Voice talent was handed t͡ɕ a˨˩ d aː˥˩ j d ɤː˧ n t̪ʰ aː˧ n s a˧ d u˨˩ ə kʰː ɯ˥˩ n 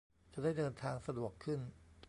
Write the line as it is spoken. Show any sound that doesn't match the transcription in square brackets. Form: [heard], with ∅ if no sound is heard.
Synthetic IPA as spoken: t͡ɕ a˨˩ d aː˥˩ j d ɤː˧ n t̪ʰ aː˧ [ŋ] s a˧ d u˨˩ ə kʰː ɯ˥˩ n